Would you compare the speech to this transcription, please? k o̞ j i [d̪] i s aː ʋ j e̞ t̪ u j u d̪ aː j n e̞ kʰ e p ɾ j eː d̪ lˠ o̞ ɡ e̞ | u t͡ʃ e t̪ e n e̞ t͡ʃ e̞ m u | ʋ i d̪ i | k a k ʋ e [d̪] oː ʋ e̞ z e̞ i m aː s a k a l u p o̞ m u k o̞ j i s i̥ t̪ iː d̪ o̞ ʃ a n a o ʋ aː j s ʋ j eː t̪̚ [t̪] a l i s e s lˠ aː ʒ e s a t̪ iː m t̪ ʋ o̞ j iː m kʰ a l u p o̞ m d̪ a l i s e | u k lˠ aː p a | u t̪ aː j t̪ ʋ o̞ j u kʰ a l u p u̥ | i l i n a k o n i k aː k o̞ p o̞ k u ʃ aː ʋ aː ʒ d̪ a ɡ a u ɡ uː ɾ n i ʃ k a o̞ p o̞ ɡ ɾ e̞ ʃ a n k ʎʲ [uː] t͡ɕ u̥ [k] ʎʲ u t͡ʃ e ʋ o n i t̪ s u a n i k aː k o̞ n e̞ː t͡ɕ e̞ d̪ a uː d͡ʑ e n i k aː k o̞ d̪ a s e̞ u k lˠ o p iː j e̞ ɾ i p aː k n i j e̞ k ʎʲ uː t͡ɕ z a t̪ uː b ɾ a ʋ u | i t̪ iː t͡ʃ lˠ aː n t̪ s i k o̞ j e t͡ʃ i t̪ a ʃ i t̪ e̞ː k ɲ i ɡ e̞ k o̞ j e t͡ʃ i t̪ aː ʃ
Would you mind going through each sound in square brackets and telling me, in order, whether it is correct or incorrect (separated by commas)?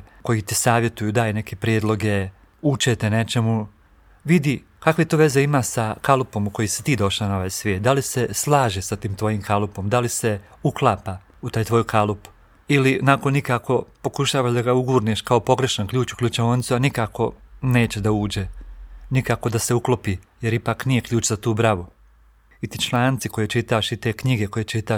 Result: incorrect, incorrect, incorrect, correct, correct